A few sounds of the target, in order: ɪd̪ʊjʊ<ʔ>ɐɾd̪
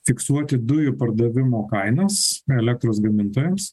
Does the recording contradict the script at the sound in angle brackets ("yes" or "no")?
yes